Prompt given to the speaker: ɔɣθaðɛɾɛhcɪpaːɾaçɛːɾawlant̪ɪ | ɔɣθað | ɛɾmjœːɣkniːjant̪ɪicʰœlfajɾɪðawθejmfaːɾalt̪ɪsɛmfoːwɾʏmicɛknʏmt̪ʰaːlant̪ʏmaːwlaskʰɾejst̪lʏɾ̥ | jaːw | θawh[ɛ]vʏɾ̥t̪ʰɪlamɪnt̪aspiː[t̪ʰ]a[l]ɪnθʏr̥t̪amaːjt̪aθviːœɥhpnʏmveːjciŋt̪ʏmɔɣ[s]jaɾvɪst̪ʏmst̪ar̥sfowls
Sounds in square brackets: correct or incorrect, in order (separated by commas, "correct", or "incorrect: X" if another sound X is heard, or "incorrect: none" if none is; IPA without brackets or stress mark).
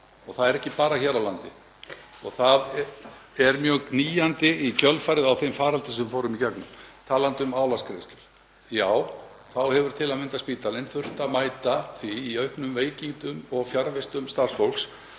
correct, incorrect: t̪, correct, incorrect: f